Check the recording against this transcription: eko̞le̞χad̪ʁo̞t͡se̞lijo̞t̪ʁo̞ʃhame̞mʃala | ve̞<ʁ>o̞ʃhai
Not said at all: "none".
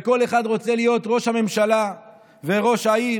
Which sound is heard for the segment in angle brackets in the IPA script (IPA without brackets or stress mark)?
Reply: ʁ